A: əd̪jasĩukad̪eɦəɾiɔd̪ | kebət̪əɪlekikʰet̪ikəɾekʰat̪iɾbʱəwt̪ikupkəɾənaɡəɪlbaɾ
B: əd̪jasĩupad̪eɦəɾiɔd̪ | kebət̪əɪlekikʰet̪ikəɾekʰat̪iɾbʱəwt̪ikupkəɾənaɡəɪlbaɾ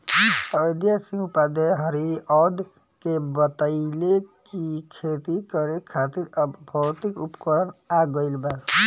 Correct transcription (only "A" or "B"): B